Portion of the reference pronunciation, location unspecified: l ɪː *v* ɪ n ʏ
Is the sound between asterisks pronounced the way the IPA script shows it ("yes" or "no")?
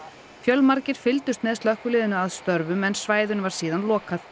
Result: no